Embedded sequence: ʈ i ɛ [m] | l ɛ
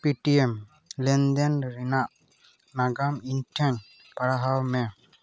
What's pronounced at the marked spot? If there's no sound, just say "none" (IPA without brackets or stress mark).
m